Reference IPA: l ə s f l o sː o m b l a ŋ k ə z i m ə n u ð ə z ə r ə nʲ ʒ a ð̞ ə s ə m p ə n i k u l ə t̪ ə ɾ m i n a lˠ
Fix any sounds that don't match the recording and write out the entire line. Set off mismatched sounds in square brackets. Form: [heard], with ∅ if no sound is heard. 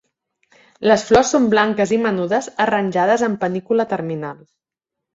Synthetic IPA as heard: l ə s f l [ɔ] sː o m b l a ŋ k ə z i m ə n u ð ə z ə r ə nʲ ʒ a ð̞ ə [z] ə m p ə n i k u l ə t̪ ə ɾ m i n a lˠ

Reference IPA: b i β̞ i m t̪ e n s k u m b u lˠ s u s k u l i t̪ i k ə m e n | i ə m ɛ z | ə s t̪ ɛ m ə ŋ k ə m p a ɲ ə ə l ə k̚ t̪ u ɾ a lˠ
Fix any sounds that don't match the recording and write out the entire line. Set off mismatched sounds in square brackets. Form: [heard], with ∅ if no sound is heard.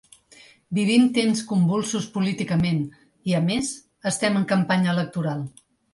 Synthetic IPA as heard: b i β̞ i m t̪ e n s k u m b u lˠ s u s [p] u l i t̪ i k ə m e n | i ə m [e] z | ə s t̪ ɛ m ə ŋ k ə m p a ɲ ə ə l ə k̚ t̪ u ɾ a lˠ

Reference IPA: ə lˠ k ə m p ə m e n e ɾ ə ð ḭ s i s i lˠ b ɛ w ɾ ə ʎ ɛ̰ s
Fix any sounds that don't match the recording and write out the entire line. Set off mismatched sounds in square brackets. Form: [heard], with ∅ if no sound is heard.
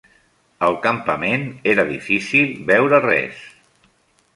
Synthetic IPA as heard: ə lˠ k ə m p ə m e n e ɾ ə ð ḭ [f] i s i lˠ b ɛ w ɾ ə [r] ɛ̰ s

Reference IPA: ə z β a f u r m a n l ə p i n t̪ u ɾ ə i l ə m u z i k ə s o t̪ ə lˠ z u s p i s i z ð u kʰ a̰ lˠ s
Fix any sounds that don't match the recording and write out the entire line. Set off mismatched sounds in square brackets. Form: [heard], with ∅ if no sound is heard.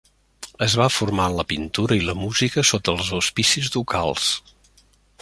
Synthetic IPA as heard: ə z β a f u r m a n l ə p i n t̪ u ɾ ə i l ə m u z i k ə s o t̪ ə lˠ z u s p i s i z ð u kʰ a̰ lˠ s

